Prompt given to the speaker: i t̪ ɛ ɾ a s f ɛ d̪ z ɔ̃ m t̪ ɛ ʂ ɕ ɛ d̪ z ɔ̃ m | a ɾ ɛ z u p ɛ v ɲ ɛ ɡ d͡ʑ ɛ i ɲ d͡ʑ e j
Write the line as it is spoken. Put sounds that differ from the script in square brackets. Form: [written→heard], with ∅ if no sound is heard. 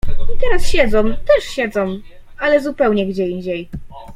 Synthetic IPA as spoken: i t̪ ɛ ɾ a s [f→ɕ] ɛ d̪ z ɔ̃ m t̪ ɛ ʂ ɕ ɛ d̪ z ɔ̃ m | a [ɾ→l] ɛ z u p ɛ [v→w] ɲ ɛ ɡ d͡ʑ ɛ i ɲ d͡ʑ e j